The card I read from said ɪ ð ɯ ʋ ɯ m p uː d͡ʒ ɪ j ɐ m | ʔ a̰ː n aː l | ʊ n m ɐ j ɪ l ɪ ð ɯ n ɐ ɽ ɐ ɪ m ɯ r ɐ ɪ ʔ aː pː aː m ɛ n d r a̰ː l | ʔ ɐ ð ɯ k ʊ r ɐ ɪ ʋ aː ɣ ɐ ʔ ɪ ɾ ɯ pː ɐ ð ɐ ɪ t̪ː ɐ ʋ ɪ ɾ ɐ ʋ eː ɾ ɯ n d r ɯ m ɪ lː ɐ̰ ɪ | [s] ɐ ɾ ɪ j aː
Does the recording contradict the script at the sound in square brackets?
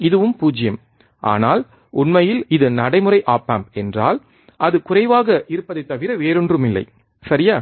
no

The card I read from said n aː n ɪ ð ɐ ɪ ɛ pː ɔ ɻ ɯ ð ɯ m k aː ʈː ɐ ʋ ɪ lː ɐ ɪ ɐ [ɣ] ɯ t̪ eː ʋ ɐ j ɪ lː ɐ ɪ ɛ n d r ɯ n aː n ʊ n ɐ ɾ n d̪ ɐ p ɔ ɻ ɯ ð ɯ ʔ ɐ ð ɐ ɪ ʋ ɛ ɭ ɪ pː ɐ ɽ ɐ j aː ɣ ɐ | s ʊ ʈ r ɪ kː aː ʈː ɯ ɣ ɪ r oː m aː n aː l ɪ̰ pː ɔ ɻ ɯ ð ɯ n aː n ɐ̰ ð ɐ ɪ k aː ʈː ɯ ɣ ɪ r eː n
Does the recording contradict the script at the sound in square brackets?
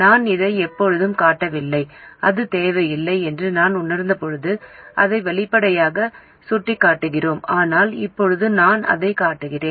yes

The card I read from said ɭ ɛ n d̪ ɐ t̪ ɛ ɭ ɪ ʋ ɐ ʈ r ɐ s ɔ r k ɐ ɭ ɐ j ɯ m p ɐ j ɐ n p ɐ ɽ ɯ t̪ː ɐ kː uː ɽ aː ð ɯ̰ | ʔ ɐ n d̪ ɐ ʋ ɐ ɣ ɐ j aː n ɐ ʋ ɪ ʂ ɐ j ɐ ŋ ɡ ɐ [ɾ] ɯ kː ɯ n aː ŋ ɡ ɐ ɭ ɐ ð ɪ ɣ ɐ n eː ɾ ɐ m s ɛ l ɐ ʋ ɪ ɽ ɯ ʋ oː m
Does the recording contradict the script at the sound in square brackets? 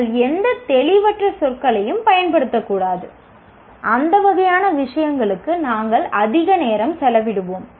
yes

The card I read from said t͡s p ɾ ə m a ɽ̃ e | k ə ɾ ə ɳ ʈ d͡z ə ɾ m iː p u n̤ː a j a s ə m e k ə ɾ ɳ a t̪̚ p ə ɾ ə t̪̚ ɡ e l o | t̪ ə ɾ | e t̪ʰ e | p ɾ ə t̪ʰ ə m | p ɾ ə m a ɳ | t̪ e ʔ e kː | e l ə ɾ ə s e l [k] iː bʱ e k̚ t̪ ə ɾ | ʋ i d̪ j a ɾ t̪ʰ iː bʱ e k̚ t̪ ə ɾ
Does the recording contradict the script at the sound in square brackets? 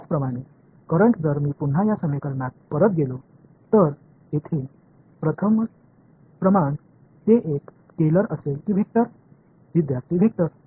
no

